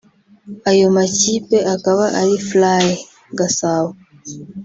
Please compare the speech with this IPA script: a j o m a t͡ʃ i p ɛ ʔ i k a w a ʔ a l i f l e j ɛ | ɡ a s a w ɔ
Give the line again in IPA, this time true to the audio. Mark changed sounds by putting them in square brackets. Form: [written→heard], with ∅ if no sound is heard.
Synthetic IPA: a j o m a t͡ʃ i p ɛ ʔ [i→a] k a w a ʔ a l i f l [e→a] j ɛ | ɡ a s a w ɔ